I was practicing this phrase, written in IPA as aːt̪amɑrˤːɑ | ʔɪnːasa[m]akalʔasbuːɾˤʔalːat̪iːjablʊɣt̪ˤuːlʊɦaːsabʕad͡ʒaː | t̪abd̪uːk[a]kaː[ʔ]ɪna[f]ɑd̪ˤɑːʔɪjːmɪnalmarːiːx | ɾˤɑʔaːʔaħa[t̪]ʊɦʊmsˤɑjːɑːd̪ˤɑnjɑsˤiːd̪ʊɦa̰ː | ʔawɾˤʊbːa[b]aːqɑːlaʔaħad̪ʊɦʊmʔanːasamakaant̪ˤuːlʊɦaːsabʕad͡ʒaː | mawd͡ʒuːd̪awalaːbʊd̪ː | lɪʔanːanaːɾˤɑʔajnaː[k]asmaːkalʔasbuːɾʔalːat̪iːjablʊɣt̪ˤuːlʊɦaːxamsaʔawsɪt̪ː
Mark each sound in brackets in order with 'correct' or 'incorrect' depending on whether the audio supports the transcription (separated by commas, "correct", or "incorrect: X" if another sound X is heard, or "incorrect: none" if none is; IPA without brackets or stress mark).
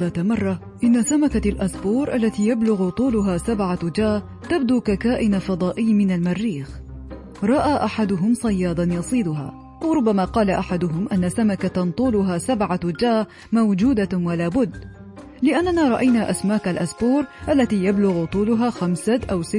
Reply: correct, correct, correct, correct, incorrect: d̪, incorrect: m, incorrect: ʔ